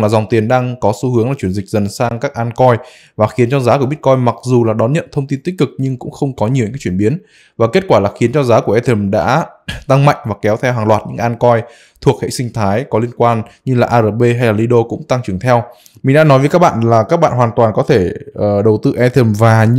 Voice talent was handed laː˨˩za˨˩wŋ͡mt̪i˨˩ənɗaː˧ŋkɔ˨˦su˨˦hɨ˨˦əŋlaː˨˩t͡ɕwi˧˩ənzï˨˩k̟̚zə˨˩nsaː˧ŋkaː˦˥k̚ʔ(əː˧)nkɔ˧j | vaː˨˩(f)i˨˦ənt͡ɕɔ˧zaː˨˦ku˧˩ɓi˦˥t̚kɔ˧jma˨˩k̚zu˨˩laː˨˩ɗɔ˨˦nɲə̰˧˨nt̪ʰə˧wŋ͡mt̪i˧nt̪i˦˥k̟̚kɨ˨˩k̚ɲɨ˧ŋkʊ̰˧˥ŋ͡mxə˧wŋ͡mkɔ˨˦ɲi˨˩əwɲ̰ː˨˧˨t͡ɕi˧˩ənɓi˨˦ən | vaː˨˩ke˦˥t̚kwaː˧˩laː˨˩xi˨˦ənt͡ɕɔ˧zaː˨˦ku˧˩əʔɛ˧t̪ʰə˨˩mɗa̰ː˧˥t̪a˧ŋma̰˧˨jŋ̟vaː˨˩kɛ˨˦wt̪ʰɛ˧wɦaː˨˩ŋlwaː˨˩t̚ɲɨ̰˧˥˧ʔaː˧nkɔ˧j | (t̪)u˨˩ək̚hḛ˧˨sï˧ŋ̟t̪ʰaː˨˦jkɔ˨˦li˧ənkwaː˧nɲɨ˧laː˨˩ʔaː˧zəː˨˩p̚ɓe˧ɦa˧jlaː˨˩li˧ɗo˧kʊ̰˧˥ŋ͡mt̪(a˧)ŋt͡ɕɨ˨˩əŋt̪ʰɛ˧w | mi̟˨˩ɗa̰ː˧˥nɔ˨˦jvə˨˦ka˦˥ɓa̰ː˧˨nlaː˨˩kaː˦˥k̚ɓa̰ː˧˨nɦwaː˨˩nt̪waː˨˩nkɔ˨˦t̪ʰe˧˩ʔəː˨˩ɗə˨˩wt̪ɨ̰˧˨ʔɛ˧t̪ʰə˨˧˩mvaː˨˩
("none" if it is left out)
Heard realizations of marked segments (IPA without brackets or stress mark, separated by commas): aː˧, x, t̪ʰ, a˧